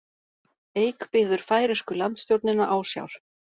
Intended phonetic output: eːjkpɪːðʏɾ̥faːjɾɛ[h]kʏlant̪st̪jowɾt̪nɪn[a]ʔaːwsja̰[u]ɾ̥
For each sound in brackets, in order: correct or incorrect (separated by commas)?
incorrect, correct, incorrect